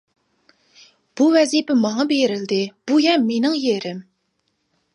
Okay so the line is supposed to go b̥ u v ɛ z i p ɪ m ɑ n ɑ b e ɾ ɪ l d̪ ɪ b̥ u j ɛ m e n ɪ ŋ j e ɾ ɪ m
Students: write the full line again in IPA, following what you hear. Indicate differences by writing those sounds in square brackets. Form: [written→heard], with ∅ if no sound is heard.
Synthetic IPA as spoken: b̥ u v ɛ z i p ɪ m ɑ [n→ŋ] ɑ b e ɾ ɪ l d̪ ɪ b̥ u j ɛ m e n ɪ ŋ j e ɾ ɪ m